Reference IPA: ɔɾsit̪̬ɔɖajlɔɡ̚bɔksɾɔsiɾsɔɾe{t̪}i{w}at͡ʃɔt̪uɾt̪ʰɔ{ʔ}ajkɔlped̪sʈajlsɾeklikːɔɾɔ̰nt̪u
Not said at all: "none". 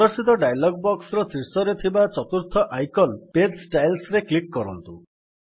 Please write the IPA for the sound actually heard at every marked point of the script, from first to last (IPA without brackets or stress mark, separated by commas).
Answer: t̪ʰ, b, ʔ